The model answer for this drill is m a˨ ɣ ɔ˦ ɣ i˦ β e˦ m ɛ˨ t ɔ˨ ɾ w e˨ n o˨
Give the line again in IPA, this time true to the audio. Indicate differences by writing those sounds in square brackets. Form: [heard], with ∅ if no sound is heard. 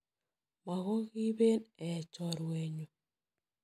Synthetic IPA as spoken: m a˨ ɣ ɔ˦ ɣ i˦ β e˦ [n] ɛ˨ [t͡ʃ] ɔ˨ ɾ w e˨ [ɲ] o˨

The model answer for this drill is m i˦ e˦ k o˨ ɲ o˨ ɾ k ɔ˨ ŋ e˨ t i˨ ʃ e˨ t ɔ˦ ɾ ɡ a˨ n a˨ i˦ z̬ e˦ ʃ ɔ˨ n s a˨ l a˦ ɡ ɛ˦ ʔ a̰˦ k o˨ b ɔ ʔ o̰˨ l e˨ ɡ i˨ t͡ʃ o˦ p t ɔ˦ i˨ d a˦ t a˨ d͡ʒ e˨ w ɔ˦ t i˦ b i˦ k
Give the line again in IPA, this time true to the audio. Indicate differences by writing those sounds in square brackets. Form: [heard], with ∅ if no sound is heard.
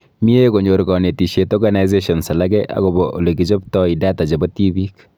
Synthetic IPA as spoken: m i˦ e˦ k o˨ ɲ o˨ ɾ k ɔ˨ [n] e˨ t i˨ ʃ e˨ t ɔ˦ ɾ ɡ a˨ n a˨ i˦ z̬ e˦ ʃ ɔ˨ n s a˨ l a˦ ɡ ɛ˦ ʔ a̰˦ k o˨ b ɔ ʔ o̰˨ l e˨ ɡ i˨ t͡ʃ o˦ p t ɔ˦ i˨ d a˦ t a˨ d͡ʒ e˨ [b] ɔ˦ t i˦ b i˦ k

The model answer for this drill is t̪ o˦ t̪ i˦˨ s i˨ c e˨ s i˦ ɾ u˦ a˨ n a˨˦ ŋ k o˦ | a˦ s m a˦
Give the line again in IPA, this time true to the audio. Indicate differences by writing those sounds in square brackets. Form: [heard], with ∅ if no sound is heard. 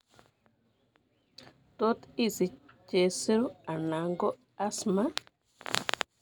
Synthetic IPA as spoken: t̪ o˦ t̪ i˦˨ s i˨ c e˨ s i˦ ɾ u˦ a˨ n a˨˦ ŋ [ɡ] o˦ | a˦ s m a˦

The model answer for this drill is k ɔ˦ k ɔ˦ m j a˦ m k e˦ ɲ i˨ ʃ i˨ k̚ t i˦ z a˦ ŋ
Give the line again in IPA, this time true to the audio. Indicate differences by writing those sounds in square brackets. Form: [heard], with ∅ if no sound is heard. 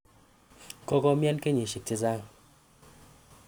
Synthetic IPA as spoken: k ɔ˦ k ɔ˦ m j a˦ [n] k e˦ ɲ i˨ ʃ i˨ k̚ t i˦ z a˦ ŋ

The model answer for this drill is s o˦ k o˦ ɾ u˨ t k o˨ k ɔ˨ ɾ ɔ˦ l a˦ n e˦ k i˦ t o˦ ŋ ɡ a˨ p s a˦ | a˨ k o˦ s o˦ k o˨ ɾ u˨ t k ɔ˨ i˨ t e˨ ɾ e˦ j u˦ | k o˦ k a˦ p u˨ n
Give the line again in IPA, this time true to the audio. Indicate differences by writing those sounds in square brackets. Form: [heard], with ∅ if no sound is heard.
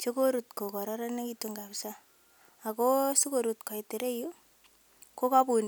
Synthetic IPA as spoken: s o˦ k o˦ ɾ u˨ t k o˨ k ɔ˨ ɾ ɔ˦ [ɾ] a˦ n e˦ k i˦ t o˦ ŋ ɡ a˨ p s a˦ | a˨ k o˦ s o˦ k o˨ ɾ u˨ t k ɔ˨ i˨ t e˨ ɾ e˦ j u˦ | k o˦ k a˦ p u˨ n

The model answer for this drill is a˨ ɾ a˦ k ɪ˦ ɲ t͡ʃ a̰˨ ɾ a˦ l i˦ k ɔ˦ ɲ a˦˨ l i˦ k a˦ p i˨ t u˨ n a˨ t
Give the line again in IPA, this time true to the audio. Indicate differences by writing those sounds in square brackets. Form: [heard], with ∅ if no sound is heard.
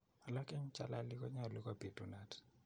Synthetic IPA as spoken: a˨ [l] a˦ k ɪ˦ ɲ t͡ʃ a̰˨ [l] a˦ l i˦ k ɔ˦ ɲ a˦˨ l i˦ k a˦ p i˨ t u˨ n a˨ t

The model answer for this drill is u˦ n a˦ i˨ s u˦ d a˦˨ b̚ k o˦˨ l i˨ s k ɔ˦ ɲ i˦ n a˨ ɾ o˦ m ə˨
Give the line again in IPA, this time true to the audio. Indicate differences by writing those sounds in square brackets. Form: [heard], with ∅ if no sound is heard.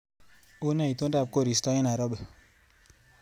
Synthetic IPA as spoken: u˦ n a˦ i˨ [t] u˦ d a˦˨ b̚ k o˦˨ [ɾ] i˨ s [t] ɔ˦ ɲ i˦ n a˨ ɾ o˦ [b] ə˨

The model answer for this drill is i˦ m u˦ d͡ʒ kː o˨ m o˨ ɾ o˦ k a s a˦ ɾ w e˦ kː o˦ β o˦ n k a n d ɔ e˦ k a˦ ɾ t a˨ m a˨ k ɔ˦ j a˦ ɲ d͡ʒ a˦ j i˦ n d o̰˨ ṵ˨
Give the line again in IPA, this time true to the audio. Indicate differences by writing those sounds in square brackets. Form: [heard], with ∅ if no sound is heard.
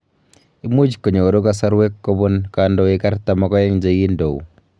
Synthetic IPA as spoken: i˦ m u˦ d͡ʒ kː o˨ [ɲ] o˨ ɾ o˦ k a s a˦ ɾ w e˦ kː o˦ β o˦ n k a n d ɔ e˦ k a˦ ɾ t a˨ m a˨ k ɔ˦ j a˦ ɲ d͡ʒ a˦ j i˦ n d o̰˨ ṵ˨

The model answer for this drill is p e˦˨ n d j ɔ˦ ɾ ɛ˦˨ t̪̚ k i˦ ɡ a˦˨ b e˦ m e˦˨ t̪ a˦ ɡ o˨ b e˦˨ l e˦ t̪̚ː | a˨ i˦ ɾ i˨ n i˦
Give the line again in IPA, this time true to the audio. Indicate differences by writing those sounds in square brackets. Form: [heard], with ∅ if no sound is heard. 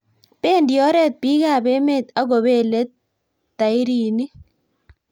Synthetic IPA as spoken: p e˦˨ n d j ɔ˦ ɾ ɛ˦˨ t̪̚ [p] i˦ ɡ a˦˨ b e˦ m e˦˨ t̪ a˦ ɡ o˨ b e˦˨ l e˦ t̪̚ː | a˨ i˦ ɾ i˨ n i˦

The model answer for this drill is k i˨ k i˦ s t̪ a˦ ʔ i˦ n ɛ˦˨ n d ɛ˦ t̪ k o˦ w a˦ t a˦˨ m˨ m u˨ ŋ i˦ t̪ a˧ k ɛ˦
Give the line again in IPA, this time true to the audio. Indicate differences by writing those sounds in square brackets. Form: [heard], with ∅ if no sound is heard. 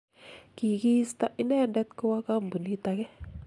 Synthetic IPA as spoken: k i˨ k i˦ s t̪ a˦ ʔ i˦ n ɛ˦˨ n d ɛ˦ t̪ k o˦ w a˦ [k] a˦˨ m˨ [b] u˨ [n] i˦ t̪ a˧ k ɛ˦

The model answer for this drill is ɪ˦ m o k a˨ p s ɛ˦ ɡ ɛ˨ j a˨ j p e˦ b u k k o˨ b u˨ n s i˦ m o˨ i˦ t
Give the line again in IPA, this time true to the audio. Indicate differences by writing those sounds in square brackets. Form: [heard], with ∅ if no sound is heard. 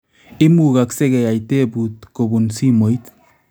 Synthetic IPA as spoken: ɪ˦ m [u] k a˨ [k] s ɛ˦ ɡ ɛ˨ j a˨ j [t] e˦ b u [t] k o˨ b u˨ n s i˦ m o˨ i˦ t

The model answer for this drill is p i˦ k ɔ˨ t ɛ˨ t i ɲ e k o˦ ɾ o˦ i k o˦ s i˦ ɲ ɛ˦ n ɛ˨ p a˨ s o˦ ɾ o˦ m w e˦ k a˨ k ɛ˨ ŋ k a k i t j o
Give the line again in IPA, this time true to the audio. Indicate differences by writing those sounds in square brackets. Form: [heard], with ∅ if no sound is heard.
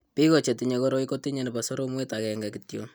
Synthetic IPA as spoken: p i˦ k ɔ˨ [t͡ʃ] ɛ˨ t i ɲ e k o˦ ɾ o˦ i k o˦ [t] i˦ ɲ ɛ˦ n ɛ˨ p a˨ s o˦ ɾ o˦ m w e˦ [t] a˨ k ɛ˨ ŋ [ɡ] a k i t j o

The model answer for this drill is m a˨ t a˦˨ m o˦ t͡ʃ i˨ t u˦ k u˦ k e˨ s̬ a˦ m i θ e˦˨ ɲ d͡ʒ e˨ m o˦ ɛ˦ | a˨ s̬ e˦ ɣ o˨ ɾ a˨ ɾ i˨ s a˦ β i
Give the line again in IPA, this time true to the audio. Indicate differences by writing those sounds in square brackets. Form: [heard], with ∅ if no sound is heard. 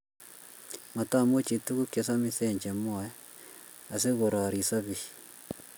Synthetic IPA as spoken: m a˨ t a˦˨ m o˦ t͡ʃ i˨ t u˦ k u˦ k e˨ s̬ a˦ m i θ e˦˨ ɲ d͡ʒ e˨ m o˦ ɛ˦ | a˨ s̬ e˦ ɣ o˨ ɾ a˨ ɾ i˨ s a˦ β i

